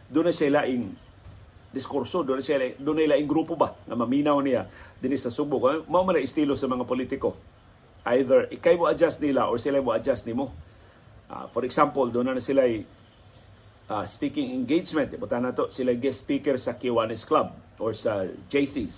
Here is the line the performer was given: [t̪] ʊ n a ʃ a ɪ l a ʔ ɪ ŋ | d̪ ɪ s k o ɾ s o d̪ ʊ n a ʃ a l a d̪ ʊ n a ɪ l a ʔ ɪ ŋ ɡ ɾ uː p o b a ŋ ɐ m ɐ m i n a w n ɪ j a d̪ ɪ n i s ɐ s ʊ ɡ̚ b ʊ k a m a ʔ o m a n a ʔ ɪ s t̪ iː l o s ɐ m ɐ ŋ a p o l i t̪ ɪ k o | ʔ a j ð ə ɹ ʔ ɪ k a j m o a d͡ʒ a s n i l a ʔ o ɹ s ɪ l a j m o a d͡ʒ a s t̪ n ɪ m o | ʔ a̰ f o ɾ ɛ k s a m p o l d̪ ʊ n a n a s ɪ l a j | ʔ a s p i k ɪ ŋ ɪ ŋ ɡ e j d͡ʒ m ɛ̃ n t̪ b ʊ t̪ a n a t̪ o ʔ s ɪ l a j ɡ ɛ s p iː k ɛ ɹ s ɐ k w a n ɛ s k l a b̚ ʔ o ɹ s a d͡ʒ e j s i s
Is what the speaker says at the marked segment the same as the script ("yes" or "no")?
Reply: no